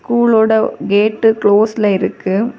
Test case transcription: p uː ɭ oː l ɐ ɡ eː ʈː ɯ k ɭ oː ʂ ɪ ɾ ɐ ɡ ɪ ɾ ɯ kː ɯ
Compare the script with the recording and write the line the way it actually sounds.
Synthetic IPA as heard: k uː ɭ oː ɽ ɐ ɡ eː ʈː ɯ k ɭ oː s ɪ l ɐ ɪ ɾ ɯ kː ɯ